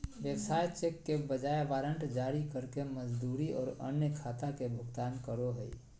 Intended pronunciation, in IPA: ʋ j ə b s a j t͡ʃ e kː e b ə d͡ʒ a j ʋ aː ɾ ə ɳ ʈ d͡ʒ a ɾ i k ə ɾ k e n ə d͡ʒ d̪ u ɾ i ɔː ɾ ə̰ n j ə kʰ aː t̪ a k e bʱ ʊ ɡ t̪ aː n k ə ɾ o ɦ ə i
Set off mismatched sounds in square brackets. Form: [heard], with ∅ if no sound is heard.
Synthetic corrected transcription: ʋ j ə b s a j t͡ʃ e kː e b ə d͡ʒ a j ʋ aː ɾ ə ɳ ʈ d͡ʒ a ɾ i k ə ɾ k e [m] ə d͡ʒ d̪ u ɾ i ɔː ɾ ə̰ n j ə kʰ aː t̪ a k e bʱ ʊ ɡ t̪ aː n k ə ɾ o ɦ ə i